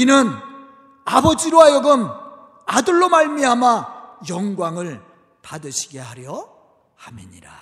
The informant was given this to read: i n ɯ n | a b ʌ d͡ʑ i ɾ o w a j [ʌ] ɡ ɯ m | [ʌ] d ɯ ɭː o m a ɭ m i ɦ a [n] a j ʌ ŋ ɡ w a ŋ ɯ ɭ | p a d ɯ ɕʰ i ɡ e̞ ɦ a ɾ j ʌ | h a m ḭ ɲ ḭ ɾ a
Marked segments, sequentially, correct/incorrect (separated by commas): correct, incorrect, incorrect